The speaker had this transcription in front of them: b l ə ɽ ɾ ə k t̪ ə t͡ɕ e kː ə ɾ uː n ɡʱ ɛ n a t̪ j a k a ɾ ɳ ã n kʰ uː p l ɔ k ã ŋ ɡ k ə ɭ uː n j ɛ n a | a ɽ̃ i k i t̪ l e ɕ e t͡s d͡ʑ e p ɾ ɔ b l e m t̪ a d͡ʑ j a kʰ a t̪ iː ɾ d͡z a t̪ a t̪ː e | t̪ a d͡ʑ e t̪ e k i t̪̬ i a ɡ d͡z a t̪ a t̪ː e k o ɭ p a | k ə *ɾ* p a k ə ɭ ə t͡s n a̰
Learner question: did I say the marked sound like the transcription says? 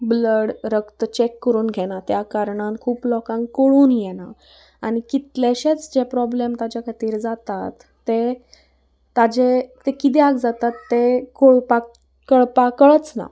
no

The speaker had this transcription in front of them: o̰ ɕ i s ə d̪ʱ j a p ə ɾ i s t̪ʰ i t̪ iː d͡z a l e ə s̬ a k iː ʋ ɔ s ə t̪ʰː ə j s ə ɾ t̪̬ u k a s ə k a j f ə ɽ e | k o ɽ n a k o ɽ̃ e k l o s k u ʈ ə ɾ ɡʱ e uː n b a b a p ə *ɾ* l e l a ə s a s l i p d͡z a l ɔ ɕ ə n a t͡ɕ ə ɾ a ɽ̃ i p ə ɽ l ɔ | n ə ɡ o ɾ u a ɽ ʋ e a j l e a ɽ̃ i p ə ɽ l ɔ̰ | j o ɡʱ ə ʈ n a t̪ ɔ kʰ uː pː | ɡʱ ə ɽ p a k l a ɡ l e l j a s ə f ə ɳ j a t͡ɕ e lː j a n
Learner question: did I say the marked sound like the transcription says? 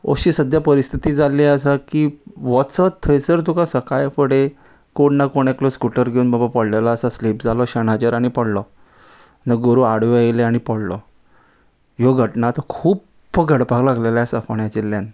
no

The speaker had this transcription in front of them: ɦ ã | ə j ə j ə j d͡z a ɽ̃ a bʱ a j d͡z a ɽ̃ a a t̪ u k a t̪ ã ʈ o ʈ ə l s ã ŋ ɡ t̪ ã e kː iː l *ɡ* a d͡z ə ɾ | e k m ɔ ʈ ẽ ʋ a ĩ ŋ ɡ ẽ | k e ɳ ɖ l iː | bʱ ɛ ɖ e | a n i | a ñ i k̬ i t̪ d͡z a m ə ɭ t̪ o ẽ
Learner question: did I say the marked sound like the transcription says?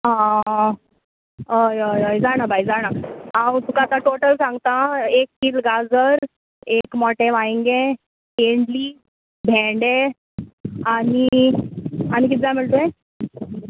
yes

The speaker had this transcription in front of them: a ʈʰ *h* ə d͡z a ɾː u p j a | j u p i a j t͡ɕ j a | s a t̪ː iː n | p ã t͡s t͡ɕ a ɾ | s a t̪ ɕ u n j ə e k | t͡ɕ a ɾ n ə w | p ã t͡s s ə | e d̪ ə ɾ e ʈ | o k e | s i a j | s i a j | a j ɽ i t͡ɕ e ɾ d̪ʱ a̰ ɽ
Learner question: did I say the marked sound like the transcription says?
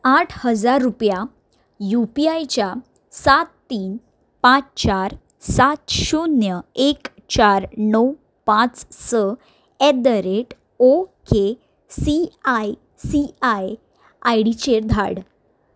yes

